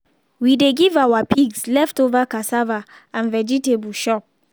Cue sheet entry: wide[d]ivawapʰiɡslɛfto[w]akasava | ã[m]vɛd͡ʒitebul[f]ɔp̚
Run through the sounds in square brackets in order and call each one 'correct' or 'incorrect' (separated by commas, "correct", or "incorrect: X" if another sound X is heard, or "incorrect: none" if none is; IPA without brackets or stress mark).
incorrect: ɡ, incorrect: v, incorrect: n, incorrect: ʃ